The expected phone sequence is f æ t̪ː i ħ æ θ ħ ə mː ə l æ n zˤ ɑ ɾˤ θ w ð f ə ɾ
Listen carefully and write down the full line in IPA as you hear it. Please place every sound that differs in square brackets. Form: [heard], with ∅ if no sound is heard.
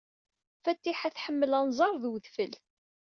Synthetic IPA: f æ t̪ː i ħ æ θ ħ ə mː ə l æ n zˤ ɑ ɾˤ [ð] w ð f ə [l]

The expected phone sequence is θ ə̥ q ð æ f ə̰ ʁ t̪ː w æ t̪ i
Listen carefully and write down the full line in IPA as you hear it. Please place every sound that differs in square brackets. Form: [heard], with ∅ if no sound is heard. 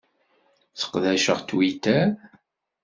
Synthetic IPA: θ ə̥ q ð æ [ʃ] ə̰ ʁ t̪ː w [i] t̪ [æ]

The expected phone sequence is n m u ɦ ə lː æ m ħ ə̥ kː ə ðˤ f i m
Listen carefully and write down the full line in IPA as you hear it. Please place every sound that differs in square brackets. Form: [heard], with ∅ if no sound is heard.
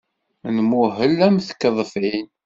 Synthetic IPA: n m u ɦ ə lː æ m [θ] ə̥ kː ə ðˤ f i [n]

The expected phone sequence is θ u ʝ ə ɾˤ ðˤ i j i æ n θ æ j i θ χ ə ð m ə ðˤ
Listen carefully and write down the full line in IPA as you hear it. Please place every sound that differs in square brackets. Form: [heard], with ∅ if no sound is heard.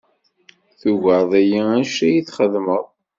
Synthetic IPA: θ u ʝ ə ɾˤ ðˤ [æ] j i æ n [ʃ] æ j i θ χ ə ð m ə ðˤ

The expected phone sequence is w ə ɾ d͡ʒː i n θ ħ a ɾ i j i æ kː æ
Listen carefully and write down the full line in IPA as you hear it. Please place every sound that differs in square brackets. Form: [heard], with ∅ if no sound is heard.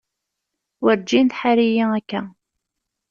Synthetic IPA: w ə ɾ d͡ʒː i n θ ħ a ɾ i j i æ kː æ

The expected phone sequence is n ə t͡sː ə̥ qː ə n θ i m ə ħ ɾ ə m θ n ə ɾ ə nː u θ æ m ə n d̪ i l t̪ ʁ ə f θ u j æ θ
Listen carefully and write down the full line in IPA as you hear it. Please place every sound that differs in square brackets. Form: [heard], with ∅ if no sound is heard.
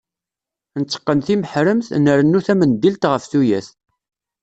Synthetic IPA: n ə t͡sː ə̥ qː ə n θ i m ə ħ ɾ ə m θ n ə ɾ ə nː u θ æ m ə n d̪ i l t̪ ʁ ə f θ u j æ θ

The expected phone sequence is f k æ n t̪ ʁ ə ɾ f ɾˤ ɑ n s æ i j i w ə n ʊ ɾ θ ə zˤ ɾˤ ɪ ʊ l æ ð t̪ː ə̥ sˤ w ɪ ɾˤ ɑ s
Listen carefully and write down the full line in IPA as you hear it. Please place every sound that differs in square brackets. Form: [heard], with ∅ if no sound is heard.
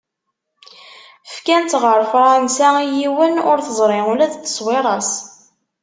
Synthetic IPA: f k æ n t̪ ʁ ə ɾ f ɾˤ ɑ n s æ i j i w ə n ʊ ɾ θ ə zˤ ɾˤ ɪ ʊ l æ ð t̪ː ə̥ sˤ w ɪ ɾˤ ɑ s

